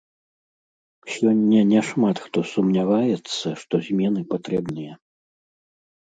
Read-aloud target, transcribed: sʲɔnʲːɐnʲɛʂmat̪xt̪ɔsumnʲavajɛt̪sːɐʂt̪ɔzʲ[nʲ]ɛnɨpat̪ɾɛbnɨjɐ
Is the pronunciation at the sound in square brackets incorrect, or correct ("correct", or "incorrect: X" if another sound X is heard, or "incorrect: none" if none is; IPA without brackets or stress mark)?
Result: incorrect: mʲ